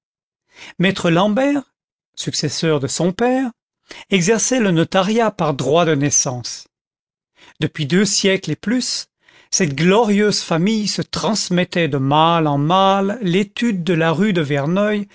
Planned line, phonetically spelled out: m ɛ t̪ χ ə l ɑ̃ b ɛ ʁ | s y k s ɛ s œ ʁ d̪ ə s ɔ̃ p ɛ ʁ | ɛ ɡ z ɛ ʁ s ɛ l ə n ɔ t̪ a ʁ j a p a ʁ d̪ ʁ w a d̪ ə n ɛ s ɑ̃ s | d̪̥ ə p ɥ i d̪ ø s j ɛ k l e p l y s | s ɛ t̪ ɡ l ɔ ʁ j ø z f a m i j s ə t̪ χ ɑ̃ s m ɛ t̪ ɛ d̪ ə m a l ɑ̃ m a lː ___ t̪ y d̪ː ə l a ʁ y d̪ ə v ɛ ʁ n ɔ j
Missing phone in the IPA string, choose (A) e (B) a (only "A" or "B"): A